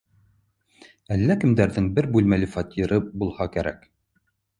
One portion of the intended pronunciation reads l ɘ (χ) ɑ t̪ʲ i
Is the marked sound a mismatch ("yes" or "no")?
yes